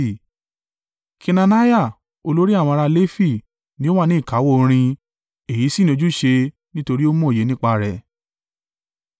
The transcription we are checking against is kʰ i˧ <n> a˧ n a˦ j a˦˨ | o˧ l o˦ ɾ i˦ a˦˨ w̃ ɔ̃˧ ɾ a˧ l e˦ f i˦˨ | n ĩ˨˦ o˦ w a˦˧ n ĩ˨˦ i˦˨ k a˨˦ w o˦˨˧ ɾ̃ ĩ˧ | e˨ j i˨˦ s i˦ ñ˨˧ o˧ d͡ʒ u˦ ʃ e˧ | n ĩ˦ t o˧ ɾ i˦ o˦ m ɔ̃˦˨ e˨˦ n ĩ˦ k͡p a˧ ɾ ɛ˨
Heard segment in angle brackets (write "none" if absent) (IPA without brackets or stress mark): n